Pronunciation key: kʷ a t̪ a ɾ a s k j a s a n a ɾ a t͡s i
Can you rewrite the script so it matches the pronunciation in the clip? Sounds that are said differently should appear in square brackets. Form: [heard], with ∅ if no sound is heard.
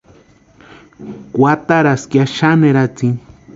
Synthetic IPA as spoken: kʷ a t̪ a ɾ a s k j a [ʃ] a n [e] ɾ a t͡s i